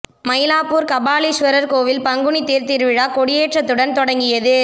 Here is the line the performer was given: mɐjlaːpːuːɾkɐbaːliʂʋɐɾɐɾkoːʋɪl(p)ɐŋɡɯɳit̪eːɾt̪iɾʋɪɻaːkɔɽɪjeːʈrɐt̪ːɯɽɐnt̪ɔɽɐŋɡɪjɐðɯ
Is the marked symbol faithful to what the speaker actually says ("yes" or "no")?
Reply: yes